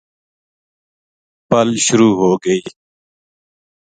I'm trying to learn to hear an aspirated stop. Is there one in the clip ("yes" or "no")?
no